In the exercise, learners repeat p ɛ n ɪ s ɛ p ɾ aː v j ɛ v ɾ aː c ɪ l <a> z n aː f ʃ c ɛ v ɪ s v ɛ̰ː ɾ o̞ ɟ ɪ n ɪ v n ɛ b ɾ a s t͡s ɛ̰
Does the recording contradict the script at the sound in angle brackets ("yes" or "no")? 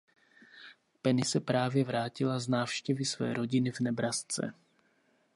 no